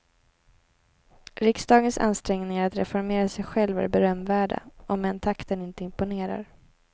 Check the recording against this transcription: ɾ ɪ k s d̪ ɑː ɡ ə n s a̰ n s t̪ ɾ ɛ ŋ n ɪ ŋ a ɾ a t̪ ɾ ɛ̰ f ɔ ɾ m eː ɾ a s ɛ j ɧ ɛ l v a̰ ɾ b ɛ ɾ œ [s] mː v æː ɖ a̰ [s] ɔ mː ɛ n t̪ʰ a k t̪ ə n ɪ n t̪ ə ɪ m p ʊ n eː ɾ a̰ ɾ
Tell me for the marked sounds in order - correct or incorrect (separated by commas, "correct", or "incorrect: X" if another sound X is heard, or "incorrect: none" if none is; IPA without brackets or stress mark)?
incorrect: none, incorrect: none